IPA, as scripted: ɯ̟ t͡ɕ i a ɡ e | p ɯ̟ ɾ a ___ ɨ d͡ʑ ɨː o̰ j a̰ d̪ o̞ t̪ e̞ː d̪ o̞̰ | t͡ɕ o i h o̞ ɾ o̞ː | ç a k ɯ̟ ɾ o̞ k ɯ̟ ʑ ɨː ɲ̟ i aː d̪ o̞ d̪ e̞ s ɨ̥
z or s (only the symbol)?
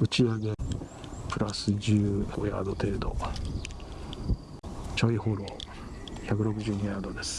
s